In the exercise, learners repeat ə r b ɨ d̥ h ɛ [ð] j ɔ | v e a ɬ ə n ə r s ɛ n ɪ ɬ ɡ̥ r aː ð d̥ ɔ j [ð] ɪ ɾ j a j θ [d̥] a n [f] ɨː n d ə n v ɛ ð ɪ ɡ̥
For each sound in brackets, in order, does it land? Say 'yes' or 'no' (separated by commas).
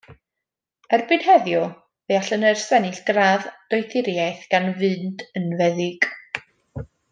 yes, no, no, no